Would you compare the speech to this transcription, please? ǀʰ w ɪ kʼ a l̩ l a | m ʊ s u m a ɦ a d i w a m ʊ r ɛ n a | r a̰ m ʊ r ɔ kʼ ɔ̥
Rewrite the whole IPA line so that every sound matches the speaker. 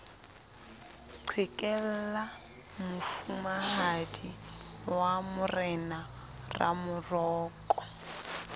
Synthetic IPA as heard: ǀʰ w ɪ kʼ ɛ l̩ l a | m ʊ f u m a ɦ a d i w a m ʊ r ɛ n a | r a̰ m ʊ r ɔː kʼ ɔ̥